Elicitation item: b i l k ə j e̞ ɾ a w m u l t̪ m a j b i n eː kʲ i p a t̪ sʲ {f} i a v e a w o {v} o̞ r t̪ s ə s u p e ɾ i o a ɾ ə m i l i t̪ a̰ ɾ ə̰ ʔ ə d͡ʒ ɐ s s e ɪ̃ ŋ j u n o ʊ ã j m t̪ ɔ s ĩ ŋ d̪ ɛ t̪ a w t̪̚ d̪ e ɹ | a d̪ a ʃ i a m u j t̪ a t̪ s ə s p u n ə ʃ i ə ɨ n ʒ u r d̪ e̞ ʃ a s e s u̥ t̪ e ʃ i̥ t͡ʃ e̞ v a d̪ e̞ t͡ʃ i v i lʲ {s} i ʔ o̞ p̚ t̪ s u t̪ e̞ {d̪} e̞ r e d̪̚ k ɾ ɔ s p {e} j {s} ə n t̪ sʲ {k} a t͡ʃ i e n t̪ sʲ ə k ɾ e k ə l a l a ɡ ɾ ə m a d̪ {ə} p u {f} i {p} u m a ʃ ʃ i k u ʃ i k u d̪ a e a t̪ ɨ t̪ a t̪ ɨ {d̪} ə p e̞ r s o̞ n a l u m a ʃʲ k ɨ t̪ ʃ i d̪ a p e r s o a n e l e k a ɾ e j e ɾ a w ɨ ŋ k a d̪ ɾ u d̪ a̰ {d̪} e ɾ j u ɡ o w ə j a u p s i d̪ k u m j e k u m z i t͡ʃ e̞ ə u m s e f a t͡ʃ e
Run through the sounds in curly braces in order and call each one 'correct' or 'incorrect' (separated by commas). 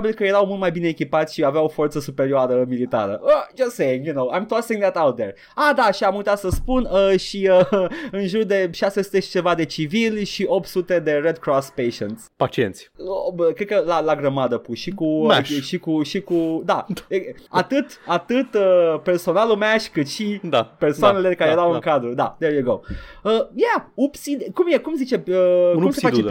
incorrect, incorrect, incorrect, correct, correct, incorrect, incorrect, correct, incorrect, incorrect, incorrect, correct